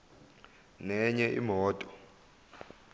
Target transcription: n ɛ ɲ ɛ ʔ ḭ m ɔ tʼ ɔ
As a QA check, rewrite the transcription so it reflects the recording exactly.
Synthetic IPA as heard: n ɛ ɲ ɛ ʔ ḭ m ɔː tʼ ɔ